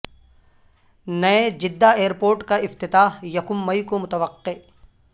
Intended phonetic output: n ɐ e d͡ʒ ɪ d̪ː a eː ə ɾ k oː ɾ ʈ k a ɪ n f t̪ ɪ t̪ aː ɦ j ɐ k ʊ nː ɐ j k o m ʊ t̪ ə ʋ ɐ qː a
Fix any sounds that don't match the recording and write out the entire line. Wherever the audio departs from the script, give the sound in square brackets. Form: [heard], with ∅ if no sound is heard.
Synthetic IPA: n ɐ e d͡ʒ ɪ d̪ː a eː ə ɾ [p] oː ɾ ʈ k a ɪ [∅] f t̪ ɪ t̪ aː ɦ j ɐ k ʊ [mː] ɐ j k o m ʊ t̪ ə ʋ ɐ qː [e]